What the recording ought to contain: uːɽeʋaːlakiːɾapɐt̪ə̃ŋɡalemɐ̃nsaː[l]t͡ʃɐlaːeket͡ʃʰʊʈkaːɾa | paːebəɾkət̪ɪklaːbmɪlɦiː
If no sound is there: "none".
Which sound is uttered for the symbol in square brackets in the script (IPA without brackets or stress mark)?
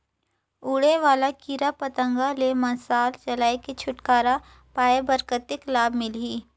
l